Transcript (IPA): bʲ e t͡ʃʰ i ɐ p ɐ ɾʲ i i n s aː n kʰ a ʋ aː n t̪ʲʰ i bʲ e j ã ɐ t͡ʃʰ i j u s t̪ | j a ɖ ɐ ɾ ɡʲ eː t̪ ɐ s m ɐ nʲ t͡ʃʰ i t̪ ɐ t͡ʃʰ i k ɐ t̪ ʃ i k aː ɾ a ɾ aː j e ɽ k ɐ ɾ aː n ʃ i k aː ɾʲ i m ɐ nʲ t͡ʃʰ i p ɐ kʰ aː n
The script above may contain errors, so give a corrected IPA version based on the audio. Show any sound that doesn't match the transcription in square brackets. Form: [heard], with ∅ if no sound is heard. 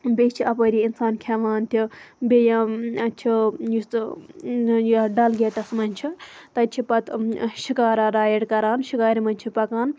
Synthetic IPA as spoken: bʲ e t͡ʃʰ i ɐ p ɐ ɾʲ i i n s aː n kʰ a ʋ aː n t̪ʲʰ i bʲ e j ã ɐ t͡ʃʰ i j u s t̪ | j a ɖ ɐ [l] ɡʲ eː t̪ ɐ s m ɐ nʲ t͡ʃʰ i t̪ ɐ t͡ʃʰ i [p] ɐ t̪ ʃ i k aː ɾ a ɾ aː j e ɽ k ɐ ɾ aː n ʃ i k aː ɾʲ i m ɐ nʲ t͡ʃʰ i p ɐ [k] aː n